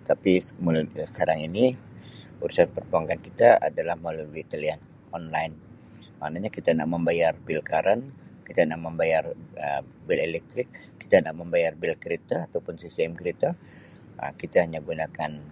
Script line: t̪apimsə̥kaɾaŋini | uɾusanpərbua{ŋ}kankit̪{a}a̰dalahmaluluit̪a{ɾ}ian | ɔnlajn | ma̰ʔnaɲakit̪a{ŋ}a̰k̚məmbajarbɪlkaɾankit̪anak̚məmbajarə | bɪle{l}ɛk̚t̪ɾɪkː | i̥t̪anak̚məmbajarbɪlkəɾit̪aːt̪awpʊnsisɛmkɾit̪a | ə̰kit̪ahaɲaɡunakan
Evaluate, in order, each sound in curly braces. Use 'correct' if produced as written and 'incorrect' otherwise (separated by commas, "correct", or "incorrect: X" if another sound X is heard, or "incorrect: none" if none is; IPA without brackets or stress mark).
correct, correct, incorrect: l, incorrect: n, correct